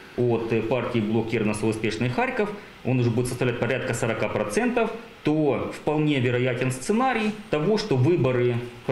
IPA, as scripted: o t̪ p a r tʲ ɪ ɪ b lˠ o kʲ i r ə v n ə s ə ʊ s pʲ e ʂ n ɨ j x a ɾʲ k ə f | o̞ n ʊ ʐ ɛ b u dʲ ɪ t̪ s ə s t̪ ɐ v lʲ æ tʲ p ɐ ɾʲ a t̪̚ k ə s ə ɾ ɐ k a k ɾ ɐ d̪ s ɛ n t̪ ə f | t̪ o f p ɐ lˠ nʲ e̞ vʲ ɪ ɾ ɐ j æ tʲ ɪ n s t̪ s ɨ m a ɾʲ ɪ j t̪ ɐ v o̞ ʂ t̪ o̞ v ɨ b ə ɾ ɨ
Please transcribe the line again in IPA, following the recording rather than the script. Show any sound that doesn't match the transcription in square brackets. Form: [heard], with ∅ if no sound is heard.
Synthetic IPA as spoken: o t̪ p a r tʲ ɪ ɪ b lˠ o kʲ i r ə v n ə s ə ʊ s pʲ e ʂ n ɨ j x a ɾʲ k ə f | o̞ n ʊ ʐ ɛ b u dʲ ɪ t̪ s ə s t̪ ɐ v lʲ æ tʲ p ɐ ɾʲ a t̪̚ k ə s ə ɾ ɐ k a [p] ɾ ɐ [t̪] s ɛ n t̪ ə f | t̪ o f p ɐ lˠ nʲ e̞ vʲ ɪ ɾ ɐ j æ tʲ ɪ n s t̪ s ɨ [n] a ɾʲ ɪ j t̪ ɐ v o̞ ʂ t̪ o̞ v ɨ b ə ɾ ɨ